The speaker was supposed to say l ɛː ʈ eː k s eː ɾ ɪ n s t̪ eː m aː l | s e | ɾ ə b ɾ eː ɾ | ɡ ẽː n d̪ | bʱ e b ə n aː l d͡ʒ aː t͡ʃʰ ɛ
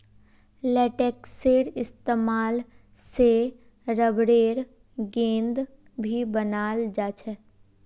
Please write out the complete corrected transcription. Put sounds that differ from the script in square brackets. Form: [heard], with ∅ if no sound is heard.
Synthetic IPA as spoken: l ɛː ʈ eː k s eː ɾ ɪ [∅] s t̪ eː m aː l | s e | ɾ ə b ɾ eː ɾ | ɡ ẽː n d̪ | bʱ [i] b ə n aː l d͡ʒ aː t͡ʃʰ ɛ